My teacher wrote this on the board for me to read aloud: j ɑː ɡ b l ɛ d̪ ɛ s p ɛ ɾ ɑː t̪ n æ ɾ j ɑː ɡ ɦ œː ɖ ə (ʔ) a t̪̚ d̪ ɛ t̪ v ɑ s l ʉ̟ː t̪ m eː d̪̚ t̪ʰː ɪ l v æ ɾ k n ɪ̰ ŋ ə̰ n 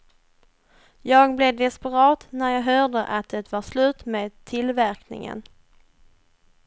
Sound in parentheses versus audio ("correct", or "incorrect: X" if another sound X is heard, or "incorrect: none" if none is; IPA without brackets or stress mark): correct